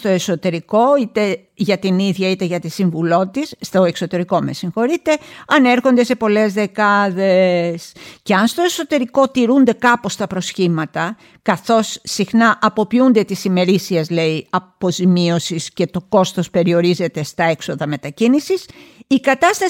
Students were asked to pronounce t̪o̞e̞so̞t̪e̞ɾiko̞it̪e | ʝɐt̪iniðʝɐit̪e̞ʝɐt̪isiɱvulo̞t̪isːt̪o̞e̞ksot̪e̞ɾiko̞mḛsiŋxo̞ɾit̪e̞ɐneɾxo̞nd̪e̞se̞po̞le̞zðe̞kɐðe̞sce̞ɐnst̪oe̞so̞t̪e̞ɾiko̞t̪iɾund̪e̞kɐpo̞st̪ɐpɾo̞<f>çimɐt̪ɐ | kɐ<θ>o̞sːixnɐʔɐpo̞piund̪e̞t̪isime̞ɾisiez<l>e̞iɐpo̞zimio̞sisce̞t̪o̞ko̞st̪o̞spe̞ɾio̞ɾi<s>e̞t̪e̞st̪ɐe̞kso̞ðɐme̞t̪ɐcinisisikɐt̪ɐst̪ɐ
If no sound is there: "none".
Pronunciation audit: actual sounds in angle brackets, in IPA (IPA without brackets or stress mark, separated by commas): s, θ, l, z